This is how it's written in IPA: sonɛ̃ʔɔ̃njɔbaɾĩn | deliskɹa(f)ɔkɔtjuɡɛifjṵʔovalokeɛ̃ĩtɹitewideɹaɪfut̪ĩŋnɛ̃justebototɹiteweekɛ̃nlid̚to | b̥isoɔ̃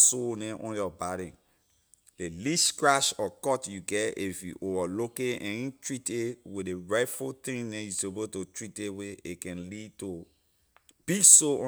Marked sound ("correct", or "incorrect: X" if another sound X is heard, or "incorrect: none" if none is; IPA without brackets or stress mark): incorrect: ʃ